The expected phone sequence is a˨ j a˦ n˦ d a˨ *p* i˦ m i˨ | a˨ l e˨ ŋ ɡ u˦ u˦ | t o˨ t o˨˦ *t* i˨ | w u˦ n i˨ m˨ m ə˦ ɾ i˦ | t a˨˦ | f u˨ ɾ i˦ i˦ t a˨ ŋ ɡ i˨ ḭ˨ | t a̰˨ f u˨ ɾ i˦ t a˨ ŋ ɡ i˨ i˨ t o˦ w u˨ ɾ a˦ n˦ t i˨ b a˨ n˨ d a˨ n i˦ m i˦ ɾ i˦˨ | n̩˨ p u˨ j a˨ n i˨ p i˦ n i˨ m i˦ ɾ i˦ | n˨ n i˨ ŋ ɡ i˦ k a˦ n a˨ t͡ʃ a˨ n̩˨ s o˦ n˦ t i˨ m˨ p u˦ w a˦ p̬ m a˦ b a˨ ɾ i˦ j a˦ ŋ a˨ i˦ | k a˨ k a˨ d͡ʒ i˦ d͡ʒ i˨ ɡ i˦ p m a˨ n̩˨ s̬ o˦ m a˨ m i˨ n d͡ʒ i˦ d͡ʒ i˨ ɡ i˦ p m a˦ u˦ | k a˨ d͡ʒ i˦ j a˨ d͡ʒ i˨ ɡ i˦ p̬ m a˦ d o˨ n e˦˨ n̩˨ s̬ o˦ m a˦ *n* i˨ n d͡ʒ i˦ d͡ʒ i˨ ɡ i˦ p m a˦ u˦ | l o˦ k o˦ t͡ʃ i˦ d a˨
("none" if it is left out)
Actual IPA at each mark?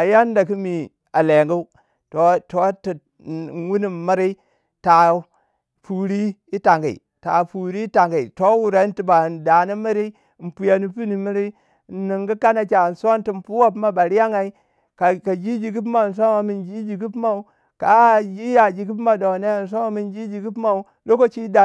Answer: k, t, m

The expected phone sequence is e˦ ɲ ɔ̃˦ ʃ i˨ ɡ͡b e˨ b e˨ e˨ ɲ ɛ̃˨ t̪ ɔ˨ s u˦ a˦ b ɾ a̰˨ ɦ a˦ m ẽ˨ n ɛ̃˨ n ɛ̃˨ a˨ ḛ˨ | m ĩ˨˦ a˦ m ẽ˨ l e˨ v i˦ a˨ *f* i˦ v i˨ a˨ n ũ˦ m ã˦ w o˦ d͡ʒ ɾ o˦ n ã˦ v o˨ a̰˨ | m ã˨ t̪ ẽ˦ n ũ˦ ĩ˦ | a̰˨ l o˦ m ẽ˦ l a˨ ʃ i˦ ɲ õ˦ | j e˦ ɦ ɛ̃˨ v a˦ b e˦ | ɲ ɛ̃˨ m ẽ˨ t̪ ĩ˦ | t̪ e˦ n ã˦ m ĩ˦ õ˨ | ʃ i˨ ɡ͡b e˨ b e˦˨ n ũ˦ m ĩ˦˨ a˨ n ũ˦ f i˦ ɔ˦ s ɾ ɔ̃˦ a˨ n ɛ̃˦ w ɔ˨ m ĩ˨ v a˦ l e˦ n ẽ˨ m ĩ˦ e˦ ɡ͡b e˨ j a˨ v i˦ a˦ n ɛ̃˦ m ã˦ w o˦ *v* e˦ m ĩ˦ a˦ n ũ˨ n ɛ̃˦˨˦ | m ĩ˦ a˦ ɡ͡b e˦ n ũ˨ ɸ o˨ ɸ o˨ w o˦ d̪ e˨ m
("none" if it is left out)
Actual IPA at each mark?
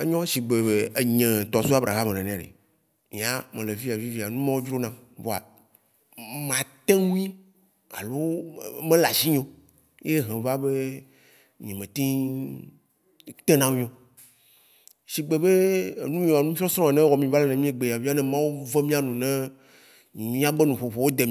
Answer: v, v

